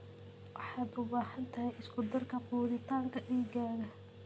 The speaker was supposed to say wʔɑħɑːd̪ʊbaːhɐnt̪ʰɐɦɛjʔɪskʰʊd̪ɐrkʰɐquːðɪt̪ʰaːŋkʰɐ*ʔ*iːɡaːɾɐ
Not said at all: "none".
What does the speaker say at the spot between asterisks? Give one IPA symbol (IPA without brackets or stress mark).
ʔ